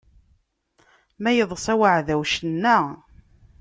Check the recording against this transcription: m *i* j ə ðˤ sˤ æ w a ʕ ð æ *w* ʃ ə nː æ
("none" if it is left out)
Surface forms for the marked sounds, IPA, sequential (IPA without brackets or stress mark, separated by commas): æ, w